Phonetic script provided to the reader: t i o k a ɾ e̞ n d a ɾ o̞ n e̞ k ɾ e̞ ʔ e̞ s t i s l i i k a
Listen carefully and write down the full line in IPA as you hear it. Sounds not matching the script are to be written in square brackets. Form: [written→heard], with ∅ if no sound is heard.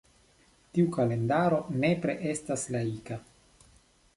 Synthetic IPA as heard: t i [o→u] k a [ɾ→l] e̞ n d a ɾ o̞ n e̞ [k→p] ɾ e̞ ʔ e̞ s t [i→a] s l [i→a] i k a